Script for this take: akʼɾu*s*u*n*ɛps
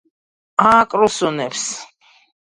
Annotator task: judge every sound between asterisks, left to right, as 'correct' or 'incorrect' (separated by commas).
correct, correct